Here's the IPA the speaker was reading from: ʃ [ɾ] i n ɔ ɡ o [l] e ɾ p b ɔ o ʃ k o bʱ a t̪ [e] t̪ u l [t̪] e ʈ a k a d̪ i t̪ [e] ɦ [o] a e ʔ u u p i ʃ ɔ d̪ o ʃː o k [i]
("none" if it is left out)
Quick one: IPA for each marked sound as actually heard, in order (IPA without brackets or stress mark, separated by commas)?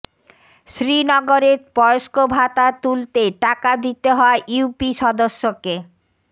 ɾ, ɾ, a, t̪, e, ɔ, e